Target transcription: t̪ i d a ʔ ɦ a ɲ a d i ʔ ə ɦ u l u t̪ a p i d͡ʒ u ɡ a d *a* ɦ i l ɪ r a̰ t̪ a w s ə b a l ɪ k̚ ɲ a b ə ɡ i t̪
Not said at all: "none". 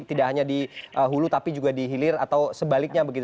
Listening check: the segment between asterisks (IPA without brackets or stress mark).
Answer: i